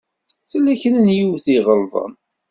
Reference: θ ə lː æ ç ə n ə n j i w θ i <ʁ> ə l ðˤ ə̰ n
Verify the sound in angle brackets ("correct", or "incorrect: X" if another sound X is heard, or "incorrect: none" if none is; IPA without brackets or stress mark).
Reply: correct